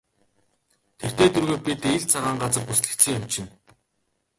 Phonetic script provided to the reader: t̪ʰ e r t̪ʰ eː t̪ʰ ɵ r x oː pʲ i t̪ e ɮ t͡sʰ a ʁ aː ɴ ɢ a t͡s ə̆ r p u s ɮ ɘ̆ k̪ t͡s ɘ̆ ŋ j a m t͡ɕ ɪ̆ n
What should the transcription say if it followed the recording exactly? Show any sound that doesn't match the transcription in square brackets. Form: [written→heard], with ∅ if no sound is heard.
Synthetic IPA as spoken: t̪ʰ e r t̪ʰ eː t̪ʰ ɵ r [x→ɣ] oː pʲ i t̪ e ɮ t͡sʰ a ʁ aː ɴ ɢ a t͡s ə̆ r p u s ɮ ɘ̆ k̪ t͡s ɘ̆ ŋ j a m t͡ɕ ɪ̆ n